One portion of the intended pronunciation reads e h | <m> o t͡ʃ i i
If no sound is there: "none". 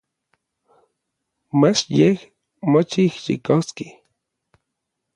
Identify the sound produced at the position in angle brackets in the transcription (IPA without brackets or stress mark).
m